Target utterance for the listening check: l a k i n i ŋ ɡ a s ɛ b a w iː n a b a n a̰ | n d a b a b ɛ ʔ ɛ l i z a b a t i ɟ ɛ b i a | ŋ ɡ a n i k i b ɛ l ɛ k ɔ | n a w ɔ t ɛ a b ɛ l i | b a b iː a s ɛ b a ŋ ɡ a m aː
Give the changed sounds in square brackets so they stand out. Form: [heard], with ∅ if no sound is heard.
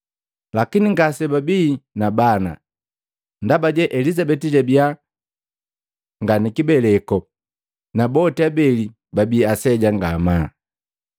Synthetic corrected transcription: l a k i n i ŋ ɡ a s ɛ b a [b] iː n a b a n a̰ | n d a b a [ɟ] ɛ ʔ ɛ l i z a b [ɛ] t i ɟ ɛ b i a | ŋ ɡ a n i k i b ɛ l ɛ k ɔ | n a [b] ɔ t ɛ a b ɛ l i | b a b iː a s ɛ [ɟ] a ŋ ɡ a m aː